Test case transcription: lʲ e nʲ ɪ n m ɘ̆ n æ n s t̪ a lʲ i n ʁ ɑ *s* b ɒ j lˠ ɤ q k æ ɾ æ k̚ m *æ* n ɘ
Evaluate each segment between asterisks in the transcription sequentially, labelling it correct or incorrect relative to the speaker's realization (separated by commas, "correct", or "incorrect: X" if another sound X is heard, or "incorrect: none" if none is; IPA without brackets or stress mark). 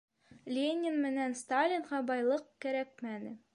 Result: incorrect: none, correct